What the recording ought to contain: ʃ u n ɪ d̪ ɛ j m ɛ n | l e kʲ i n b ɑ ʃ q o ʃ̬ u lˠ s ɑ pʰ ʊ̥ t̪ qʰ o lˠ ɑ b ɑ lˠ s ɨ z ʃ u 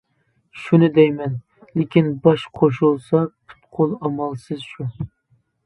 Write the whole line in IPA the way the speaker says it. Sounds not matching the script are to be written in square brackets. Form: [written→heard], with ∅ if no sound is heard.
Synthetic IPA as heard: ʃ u n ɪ d̪ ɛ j m ɛ n | l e kʲ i n b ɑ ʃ [q→qʰ] o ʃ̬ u lˠ s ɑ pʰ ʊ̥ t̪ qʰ o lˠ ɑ [b→m] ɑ lˠ s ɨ z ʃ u